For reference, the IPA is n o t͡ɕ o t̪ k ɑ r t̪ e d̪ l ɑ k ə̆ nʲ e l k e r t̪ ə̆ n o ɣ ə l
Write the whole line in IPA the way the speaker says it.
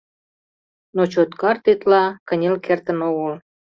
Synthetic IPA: n o t͡ɕ o t̪ k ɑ r t̪ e t̪ l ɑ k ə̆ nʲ e l k e r t̪ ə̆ n o ɣ ə l